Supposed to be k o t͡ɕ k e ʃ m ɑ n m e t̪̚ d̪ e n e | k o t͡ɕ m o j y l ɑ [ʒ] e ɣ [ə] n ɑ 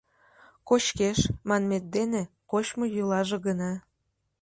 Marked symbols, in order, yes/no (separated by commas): yes, yes